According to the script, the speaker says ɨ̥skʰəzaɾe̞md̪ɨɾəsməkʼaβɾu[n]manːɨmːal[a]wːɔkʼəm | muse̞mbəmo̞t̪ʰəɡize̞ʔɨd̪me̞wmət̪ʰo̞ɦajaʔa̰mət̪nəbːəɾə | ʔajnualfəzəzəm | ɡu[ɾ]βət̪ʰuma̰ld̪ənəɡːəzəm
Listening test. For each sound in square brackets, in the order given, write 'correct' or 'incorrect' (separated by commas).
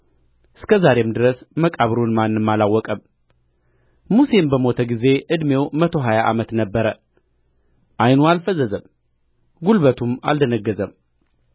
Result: correct, correct, incorrect